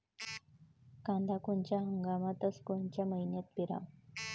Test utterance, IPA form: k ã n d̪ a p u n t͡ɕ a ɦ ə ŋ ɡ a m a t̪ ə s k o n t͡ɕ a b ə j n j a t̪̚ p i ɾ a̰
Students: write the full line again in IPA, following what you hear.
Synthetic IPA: k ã n d̪ a k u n t͡ɕ a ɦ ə ŋ ɡ a m a t̪ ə s k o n t͡ɕ a m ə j n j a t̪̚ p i ɾ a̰

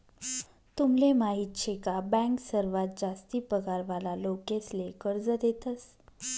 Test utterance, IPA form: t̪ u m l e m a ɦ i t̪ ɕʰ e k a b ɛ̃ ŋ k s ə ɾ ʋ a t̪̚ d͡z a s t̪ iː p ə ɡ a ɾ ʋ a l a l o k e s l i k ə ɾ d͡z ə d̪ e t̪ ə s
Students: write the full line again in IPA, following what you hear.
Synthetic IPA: t̪ u m l e m a ɦ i t̪ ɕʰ e k a b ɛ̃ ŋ k s ə ɾ ʋ a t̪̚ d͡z a s t̪ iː p ə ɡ a ɾ ʋ a l a l o k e s l e k ə ɾ d͡z ə d̪ e t̪ ə s

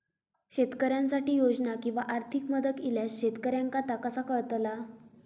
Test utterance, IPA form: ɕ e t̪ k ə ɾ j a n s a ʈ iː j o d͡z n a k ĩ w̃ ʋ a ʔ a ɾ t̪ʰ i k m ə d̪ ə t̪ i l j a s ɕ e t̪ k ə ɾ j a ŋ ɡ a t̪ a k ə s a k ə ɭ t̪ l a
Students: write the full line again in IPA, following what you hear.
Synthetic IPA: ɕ e t̪ k ə ɾ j a n s a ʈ iː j o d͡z n a k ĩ w̃ ʋ a ʔ a ɾ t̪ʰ i k m ə d̪ ə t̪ i l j a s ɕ e t̪ k ə ɾ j a ŋ k a t̪ a k ə s a k ə ɭ t̪ l a

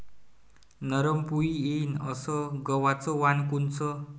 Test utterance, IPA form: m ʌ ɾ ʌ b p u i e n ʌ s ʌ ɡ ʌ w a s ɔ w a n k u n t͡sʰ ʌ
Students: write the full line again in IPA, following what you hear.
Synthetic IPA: n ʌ ɾ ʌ m p u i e n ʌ s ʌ ɡ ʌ w a t͡s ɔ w a n k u n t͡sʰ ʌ

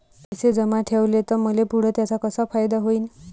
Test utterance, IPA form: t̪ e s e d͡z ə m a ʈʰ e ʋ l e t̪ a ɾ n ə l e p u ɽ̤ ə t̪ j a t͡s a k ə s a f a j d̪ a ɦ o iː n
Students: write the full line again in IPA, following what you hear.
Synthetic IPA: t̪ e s e d͡z ə m a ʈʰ e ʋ l e t̪ ə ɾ m ə l e p u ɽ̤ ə t̪ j a t͡s a k ə s a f a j d̪ a ɦ o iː n

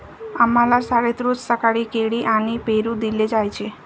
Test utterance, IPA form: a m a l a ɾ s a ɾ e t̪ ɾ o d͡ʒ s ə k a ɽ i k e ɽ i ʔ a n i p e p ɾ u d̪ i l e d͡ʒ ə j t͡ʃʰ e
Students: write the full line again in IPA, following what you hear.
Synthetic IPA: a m a l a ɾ s a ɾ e t̪ ɾ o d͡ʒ s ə k a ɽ i k e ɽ i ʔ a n i p e ɾ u d̪ i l e d͡ʒ a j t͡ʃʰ e

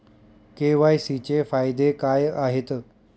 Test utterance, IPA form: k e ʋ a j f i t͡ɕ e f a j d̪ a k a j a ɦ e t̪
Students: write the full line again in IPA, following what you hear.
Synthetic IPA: k e ʋ a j s i t͡ɕ e f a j d̪ e k a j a ɦ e t̪

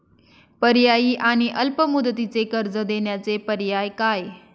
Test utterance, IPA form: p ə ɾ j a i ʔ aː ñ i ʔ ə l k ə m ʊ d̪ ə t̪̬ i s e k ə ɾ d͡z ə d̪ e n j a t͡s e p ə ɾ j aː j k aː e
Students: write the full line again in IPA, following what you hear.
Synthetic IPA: p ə ɾ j a i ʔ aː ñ i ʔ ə l p ə m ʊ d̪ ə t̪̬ i t͡s e k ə ɾ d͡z ə d̪ e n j a t͡s e p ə ɾ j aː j k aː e

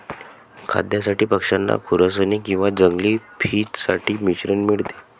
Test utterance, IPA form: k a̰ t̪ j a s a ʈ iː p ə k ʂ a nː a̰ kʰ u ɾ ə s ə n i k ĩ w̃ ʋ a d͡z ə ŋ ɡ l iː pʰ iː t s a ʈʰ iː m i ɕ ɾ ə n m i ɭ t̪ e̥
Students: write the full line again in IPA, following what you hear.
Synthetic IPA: kʰ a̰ d̪ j a s a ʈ iː p ə k ʂ a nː a̰ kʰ u ɾ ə s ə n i k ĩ w̃ ʋ a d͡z ə ŋ ɡ l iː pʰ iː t s a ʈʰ iː m i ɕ ɾ ə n m i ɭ t̪ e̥

